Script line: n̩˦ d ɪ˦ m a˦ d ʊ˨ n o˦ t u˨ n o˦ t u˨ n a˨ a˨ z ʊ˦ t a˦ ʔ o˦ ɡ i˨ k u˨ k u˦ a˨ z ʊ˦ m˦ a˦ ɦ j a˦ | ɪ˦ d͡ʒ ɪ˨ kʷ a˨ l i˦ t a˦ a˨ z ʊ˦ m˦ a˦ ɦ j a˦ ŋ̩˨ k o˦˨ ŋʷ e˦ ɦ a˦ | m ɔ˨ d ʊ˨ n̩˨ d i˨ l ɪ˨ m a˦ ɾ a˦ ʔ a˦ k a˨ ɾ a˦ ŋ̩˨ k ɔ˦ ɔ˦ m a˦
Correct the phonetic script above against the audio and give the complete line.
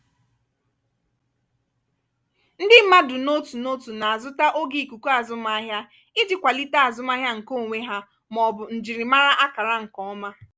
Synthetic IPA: n̩˦ d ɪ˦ m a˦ d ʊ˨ n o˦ t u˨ n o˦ t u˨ n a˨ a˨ z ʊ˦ t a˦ ʔ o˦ ɡ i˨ k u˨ k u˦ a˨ z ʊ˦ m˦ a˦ ɦ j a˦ | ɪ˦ d͡ʒ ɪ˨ kʷ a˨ l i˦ t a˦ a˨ z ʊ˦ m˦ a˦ ɦ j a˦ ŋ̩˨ k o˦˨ ŋʷ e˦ ɦ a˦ | m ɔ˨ b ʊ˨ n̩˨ d͡ʒ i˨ ɾ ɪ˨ m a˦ ɾ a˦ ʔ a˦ k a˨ ɾ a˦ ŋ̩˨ k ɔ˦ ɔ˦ m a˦

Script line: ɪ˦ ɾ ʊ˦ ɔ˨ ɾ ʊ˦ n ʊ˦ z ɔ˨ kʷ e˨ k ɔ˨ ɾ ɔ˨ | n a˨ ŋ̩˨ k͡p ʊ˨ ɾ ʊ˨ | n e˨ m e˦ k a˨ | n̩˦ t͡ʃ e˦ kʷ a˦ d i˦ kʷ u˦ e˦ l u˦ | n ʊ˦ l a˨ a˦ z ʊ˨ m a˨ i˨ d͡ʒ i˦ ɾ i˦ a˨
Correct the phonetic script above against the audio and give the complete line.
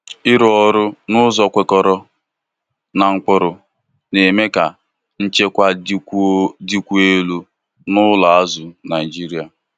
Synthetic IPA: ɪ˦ ɾ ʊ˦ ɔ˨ ɾ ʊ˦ n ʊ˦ z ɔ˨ kʷ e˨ k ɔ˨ ɾ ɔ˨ | n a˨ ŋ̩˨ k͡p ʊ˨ ɾ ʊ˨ | n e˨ m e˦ k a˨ | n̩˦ t͡ʃ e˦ kʷ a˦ d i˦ kʷ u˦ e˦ l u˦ | n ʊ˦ l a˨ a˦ z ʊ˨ n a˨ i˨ d͡ʒ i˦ ɾ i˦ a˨

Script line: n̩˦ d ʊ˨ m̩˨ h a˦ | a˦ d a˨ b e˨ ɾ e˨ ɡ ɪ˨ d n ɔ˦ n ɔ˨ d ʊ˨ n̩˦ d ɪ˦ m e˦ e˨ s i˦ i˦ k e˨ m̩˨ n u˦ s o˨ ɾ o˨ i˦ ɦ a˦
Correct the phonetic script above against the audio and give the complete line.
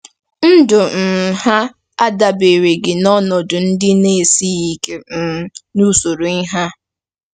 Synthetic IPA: n̩˦ d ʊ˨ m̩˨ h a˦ | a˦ d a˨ b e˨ ɾ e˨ ɡ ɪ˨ n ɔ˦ n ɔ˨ d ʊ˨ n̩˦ d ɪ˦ n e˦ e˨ s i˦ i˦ k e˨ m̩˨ n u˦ s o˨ ɾ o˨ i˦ ɦ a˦

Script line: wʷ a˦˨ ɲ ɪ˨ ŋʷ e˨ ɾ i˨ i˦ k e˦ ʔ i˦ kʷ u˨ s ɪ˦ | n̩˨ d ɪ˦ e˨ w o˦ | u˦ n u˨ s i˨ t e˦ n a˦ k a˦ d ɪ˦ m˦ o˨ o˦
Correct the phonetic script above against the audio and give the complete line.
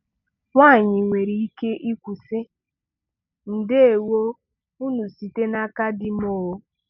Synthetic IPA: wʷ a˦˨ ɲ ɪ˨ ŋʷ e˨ ɾ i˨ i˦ k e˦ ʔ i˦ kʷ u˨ s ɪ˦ | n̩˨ d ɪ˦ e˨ w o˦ | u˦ n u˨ s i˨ t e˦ n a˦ k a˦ d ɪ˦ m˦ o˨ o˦

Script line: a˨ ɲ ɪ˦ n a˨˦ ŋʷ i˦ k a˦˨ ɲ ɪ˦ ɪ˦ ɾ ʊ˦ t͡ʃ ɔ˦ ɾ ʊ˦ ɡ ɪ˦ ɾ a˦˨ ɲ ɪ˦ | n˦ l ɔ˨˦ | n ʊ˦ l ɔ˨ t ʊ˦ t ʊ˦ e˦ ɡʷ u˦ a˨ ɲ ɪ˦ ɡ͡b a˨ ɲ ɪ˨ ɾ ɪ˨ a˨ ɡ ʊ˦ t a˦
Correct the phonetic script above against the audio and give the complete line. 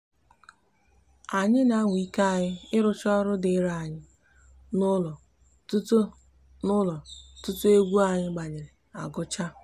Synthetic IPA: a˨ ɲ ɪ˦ n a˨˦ ŋʷ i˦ k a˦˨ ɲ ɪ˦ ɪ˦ ɾ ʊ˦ t͡ʃ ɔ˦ ɾ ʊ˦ d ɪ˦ ɾ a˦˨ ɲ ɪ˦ | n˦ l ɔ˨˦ | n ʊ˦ l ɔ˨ t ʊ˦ t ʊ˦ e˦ ɡʷ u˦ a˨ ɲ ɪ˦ ɡ͡b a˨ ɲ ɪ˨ ɾ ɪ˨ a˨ ɡ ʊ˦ t͡ʃ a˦

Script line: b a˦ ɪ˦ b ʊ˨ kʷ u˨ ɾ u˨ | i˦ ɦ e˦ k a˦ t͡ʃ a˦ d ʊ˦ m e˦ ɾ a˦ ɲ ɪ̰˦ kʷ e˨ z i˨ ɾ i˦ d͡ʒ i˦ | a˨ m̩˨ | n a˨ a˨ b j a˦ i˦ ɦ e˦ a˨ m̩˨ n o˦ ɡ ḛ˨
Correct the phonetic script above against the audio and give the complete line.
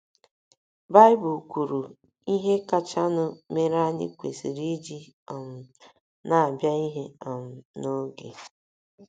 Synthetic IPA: b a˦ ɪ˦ b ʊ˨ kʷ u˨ ɾ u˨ | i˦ ɦ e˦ k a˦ t͡ʃ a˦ n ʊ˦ m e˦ ɾ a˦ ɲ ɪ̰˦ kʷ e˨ s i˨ ɾ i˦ d͡ʒ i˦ | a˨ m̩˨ | n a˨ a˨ b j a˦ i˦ ɦ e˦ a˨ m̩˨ n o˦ ɡ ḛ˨

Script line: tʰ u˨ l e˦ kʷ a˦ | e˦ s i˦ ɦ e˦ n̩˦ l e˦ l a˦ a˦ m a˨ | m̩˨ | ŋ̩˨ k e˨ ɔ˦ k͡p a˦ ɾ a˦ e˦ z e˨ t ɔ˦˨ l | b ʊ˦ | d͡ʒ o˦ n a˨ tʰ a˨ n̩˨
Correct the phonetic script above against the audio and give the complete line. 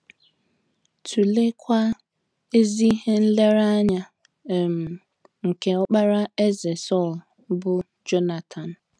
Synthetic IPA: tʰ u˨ l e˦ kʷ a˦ | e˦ z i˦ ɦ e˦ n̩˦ l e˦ ɾ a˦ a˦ ɲ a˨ | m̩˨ | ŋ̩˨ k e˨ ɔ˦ k͡p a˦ ɾ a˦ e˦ z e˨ s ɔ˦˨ l | b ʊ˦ | d͡ʒ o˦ n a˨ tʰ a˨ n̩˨

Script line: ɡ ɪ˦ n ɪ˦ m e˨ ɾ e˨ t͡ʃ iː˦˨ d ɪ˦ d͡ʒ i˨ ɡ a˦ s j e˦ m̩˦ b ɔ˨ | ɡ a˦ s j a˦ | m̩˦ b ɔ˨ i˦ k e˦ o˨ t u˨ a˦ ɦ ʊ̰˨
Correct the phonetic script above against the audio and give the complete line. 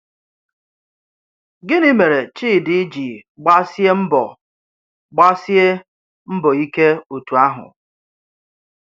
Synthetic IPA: ɡ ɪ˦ n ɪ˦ m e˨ ɾ e˨ t͡ʃ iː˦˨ d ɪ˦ d͡ʒ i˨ ɡ͡b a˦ s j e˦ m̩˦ b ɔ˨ | ɡ͡b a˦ s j e˦ | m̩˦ b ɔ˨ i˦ k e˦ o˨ t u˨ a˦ ɦ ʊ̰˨

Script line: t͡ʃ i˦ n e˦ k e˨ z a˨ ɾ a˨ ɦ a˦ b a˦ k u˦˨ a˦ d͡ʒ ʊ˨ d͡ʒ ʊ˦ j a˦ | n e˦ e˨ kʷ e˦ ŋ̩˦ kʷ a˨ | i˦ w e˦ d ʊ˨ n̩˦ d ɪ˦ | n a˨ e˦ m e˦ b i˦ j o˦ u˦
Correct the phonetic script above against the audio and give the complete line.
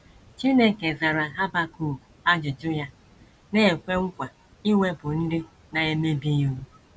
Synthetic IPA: t͡ʃ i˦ n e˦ k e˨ z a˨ ɾ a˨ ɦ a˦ b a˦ k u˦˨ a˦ d͡ʒ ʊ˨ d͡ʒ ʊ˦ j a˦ | n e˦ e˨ kʷ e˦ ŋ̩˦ kʷ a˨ | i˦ w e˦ b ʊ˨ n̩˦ d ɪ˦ | n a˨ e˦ m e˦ b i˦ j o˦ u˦

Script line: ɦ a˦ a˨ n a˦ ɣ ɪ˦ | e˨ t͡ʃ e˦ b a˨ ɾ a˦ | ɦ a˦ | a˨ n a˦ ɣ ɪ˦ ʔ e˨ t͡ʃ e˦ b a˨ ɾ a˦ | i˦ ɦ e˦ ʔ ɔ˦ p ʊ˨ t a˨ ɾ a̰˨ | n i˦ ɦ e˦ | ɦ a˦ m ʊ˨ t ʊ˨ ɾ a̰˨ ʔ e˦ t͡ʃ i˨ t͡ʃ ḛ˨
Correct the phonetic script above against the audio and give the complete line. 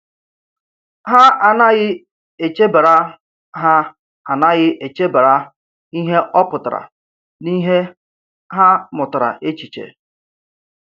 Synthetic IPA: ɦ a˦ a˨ n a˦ ɣ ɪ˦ | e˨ t͡ʃ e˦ b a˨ ɾ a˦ | ɦ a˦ | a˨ n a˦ ɣ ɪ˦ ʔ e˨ t͡ʃ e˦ b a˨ ɾ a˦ | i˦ ɦ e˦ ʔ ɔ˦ p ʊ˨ t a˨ ɾ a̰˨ | n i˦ ɦ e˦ | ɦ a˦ m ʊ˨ t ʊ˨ ɾ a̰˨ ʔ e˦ t͡ʃ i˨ t͡ʃ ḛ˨

